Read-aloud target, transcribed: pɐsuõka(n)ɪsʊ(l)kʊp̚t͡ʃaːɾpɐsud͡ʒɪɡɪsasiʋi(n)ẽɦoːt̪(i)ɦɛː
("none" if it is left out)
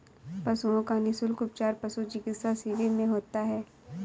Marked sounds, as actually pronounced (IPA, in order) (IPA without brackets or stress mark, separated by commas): n, l, m, a